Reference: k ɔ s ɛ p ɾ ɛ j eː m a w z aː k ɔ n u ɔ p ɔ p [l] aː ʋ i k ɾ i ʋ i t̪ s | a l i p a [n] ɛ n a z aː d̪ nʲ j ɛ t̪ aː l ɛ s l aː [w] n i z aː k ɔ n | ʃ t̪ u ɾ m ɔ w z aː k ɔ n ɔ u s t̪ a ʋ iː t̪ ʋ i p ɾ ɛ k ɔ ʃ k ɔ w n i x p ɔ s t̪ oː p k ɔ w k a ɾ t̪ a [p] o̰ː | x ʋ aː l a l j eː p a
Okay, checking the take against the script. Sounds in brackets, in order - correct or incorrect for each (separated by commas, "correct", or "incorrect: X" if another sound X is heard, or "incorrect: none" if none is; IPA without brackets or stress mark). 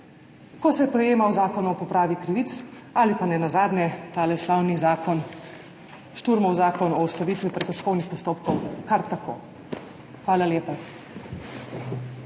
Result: incorrect: ɾ, correct, correct, incorrect: k